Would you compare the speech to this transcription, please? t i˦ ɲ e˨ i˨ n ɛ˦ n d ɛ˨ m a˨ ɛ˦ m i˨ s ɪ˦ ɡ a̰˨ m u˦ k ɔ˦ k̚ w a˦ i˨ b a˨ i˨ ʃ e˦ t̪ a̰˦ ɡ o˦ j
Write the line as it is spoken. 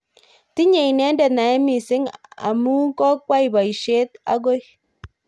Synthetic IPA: t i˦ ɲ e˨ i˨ n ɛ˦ n d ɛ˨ n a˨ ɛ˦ m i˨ s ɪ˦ ŋ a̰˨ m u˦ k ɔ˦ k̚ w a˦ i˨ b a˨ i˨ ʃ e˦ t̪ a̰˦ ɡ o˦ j